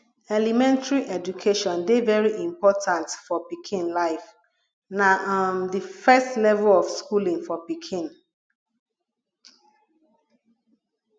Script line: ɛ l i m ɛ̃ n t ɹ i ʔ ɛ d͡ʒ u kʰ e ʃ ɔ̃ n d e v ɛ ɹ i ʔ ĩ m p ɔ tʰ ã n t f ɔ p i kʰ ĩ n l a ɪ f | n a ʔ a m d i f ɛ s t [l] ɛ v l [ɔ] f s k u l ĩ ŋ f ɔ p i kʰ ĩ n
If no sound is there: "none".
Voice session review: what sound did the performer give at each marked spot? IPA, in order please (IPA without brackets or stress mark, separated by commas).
l, ɔ